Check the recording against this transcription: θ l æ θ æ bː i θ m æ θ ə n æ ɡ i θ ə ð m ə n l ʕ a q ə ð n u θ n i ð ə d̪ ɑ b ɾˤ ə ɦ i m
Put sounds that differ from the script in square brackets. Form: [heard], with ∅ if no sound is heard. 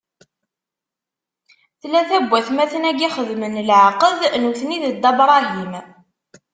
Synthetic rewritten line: θ l æ θ æ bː [æ] θ m æ θ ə n æ ɡ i [χ] ə ð m ə n l ʕ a q ə ð n u θ n i ð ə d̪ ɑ b ɾˤ [ɑ] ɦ i m